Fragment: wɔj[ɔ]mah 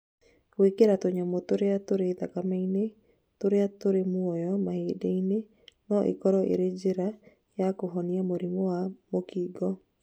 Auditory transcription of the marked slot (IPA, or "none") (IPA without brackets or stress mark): ɔ